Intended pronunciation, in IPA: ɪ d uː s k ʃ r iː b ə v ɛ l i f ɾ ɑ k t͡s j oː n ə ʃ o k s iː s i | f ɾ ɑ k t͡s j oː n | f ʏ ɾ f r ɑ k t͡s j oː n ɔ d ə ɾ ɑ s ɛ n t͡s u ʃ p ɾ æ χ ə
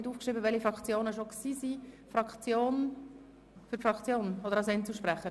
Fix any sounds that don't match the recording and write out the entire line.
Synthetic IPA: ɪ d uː f k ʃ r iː b ə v ɛ l i f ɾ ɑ k t͡s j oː n ə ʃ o k s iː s i | f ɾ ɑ k t͡s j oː n | f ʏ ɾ f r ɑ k t͡s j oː n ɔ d ə ɾ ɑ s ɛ n t͡s u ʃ p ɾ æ χ ə